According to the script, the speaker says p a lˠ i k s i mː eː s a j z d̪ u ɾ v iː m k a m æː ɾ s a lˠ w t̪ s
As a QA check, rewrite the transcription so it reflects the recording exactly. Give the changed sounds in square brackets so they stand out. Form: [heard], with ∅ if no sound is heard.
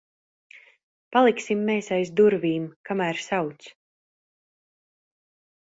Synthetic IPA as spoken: p a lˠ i k s i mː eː s a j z d̪ u ɾ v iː m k a m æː ɾ s a [∅] w t̪ s